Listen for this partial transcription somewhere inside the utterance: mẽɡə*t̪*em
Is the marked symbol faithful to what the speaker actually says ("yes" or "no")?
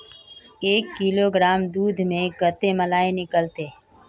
yes